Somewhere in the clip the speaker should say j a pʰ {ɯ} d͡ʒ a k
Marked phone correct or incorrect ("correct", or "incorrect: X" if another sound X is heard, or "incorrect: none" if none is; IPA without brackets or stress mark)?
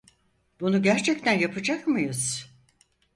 correct